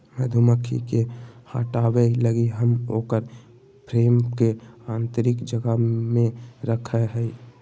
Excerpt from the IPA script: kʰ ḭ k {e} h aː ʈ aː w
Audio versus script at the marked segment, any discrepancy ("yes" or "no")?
no